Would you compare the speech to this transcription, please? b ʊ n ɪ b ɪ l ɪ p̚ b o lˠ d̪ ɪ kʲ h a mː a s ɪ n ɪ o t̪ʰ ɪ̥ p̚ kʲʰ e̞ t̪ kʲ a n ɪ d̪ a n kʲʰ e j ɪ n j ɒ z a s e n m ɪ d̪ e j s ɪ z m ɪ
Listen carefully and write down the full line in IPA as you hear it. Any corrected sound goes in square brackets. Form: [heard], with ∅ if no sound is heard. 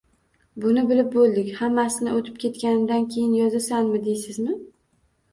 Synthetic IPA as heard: b ʊ n ɪ b ɪ l ɪ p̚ b o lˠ d̪ ɪ kʲ h a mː a s ɪ n ɪ o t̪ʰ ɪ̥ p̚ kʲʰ e̞ t̪ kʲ a n ɪ d̪ a n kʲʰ e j ɪ n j ɒ z a s [a] n m ɪ d̪ e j s ɪ z m ɪ